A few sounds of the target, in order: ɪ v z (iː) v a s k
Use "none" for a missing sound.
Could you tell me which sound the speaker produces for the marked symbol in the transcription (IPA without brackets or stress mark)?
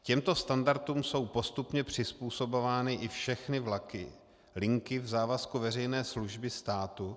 aː